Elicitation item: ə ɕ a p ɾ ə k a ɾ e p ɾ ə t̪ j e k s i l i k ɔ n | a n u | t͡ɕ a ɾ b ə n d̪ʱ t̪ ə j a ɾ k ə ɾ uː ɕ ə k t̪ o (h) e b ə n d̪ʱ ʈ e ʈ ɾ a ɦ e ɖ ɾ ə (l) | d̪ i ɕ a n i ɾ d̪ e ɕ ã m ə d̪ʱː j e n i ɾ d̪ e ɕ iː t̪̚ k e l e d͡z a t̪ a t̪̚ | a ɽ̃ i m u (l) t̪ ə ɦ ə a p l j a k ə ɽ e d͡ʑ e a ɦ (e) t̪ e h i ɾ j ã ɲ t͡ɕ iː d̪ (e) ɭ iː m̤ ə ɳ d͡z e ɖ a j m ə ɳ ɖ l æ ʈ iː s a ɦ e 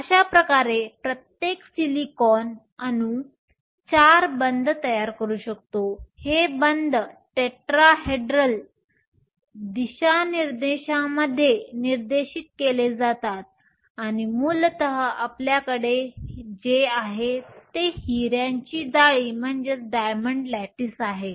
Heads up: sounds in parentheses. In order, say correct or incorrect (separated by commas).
correct, correct, correct, correct, incorrect